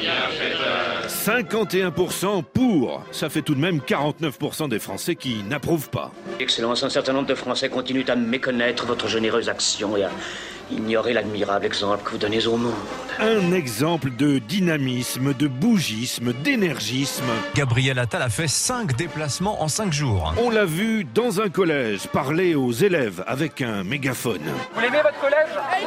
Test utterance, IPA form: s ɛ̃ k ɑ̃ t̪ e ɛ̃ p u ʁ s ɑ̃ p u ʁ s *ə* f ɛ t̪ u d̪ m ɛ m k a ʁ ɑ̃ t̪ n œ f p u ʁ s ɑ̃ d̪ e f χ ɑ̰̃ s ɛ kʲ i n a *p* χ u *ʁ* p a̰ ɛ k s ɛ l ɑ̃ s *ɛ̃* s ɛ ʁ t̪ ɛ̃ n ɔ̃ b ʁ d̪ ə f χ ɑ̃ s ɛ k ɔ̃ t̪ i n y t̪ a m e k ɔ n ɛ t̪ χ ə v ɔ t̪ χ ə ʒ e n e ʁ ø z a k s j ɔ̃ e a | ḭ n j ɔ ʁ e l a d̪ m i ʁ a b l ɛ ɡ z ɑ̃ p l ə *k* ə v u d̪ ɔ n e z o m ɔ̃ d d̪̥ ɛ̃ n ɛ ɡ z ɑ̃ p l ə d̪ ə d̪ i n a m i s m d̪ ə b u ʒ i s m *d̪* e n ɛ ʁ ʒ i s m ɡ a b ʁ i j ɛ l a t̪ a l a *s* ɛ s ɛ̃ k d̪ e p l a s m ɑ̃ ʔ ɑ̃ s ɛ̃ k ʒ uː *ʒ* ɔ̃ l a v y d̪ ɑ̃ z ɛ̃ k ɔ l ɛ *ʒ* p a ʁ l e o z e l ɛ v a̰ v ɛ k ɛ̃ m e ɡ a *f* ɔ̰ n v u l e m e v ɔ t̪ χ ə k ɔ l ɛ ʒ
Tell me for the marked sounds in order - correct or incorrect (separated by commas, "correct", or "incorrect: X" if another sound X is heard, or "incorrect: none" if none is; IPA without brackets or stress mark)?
incorrect: a, correct, incorrect: v, correct, correct, correct, incorrect: f, incorrect: ʁ, correct, correct